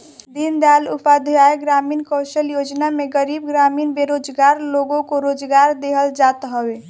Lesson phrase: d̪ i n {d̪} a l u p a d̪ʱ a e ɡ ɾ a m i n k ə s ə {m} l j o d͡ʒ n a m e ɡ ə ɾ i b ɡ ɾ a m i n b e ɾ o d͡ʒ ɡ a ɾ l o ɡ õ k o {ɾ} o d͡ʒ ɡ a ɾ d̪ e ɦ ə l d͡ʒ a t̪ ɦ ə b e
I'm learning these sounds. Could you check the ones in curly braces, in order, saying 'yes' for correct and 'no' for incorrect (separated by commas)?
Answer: yes, no, yes